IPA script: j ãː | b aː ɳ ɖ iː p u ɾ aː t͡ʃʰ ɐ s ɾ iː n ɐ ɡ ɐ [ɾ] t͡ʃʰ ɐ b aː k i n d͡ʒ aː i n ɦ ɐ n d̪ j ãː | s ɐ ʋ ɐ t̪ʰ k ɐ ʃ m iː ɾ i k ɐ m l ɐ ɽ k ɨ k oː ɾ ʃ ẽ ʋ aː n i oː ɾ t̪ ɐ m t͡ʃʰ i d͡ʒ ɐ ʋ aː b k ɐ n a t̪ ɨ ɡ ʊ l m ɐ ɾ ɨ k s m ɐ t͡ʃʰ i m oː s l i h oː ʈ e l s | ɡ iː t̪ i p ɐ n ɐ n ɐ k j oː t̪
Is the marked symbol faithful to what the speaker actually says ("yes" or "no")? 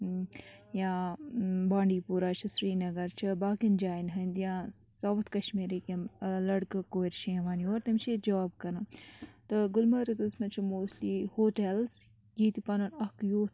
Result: yes